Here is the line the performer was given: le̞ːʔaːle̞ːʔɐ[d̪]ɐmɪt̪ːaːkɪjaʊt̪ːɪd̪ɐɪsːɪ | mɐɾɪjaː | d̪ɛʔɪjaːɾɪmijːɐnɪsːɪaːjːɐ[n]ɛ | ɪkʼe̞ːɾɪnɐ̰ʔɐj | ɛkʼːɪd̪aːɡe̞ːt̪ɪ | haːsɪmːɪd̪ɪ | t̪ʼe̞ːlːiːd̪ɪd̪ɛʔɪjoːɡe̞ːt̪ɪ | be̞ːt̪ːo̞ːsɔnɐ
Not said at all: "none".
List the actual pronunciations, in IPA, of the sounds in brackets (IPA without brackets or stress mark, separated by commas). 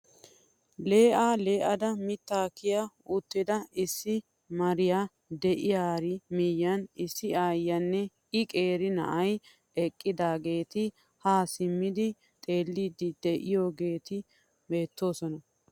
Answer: d̪, nː